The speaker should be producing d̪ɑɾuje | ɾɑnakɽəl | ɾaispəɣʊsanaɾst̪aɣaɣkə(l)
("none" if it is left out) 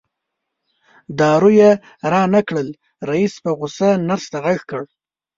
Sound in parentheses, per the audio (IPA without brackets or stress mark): ɽ